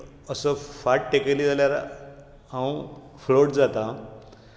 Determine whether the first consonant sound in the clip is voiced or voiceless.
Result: voiceless